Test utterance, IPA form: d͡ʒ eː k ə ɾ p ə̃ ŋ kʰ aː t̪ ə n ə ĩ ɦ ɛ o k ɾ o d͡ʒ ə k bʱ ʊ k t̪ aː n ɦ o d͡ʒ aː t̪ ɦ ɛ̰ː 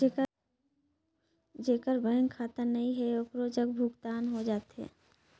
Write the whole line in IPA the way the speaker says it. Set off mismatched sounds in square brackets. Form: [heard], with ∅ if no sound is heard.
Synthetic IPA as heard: d͡ʒ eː k ə ɾ [b] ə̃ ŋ kʰ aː t̪ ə n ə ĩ ɦ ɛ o k ɾ o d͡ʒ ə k bʱ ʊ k t̪ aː n ɦ o d͡ʒ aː t̪ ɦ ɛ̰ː

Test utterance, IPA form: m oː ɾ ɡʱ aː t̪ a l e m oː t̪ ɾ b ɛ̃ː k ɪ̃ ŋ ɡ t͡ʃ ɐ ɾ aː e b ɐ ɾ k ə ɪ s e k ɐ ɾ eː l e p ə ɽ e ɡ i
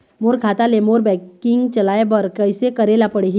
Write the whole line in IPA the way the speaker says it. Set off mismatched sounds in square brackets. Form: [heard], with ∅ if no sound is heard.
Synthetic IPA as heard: m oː ɾ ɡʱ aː t̪ a l e m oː [∅] ɾ b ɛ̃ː k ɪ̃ ŋ ɡ t͡ʃ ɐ [l] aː e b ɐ ɾ k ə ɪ s e k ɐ ɾ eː l [a] p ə ɽ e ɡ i

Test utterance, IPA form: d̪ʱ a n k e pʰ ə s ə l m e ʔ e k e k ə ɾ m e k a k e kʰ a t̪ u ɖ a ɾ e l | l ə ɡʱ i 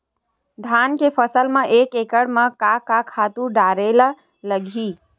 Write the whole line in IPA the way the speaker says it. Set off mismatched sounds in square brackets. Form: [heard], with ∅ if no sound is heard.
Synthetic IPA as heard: d̪ʱ a n k e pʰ ə s ə l m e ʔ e k e k ə [ɽ] m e k a k [a] kʰ a t̪ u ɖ a ɾ e l | l ə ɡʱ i

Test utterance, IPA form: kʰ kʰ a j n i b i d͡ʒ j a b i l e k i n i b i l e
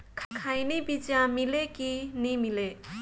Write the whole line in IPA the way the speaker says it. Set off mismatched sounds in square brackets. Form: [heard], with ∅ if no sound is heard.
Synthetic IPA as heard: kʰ kʰ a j n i b i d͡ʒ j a [m] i l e k i n i [m] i l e

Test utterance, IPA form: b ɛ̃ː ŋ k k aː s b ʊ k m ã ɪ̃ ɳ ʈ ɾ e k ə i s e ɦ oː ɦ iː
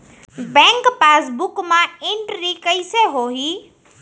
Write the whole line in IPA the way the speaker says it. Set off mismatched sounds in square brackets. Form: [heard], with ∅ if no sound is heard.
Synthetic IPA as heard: b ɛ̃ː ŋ k [p] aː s b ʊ k m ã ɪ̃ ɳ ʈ ɾ [i] k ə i s e ɦ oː ɦ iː

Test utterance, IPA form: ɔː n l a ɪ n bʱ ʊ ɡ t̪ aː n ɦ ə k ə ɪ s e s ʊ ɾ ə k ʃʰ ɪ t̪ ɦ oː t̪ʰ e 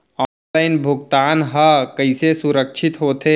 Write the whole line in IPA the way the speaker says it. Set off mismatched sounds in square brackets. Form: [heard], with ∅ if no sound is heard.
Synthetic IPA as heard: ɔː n l a ɪ n bʱ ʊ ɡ t̪ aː n ɦ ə k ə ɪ s e s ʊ ɾ ə k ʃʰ ɪ t̪ ɦ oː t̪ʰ e

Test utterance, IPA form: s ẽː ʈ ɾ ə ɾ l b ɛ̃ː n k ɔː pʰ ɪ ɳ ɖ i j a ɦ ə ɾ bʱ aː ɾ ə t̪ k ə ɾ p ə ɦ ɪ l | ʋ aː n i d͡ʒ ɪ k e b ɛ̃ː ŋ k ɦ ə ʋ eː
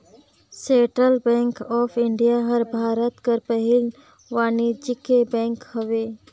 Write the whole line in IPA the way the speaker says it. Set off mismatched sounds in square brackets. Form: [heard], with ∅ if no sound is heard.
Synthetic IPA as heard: s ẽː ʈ ɾ ə [∅] l b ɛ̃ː [ŋ] k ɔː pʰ ɪ ɳ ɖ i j a ɦ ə ɾ bʱ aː ɾ ə t̪ k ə ɾ p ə ɦ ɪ l | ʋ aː n i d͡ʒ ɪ k e b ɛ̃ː ŋ k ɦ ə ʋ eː

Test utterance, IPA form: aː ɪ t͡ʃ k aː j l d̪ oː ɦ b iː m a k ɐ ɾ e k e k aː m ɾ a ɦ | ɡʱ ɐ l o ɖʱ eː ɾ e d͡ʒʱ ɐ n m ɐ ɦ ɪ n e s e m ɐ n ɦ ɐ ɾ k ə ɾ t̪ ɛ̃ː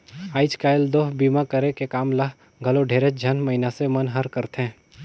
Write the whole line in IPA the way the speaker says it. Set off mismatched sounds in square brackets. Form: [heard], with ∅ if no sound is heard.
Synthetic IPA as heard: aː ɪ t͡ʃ k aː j l d̪ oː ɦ b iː m a k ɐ ɾ e k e k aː m [l] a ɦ | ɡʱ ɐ l o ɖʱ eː ɾ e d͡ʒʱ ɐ n m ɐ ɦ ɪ n [a] s e m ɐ n ɦ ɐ ɾ k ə ɾ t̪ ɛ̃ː

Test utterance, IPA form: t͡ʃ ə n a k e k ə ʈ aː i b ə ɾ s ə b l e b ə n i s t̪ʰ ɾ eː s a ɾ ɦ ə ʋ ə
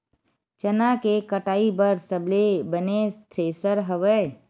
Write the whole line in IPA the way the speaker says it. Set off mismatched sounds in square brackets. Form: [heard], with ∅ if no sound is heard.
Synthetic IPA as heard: t͡ʃ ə n a k e k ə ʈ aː i b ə ɾ s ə b l e b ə n [e] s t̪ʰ ɾ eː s [ə] ɾ ɦ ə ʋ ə

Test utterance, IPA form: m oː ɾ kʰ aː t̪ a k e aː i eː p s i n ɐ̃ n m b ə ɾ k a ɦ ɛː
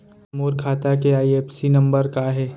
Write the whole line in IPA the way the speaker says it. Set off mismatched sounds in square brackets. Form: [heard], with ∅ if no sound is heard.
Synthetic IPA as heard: m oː ɾ kʰ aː t̪ a k e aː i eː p s i n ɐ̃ [∅] m b ə ɾ k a ɦ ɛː

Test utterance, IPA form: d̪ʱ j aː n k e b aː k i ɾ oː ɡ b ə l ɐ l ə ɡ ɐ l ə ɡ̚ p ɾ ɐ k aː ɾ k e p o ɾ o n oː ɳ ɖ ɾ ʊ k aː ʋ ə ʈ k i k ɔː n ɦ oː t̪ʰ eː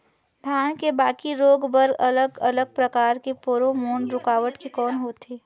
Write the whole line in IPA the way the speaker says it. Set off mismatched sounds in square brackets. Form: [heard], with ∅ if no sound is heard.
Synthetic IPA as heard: d̪ʱ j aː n k e b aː k i ɾ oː ɡ b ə [ɾ] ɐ l ə ɡ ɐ l ə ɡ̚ p ɾ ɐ k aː ɾ k e p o ɾ o [m] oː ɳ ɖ ɾ ʊ k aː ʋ ə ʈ k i k ɔː n ɦ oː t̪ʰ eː

